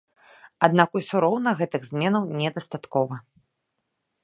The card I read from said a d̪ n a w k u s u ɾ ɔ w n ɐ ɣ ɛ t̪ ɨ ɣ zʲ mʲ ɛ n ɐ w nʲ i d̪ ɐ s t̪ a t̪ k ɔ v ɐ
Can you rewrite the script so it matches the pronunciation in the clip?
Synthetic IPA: a d̪ n a k u s u ɾ ɔ w n ɐ ɣ ɛ t̪ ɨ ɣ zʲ mʲ ɛ n ɐ w nʲ ɛ d̪ ɐ s t̪ a t̪ k ɔ v ɐ

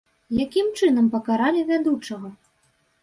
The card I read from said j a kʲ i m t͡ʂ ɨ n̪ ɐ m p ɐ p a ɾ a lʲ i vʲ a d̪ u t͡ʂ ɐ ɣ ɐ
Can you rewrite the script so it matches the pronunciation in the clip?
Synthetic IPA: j a kʲ i m t͡ʂ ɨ n̪ ɐ m p ɐ k a ɾ a lʲ i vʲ a d̪ u t͡ʂ ɐ ɣ ɐ

